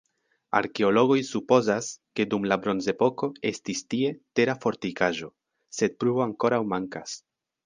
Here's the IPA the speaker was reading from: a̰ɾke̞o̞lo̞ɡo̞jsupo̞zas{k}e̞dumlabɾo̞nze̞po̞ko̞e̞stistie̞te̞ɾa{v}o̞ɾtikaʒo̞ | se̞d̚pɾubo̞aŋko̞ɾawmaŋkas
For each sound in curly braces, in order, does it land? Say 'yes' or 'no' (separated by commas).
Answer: yes, no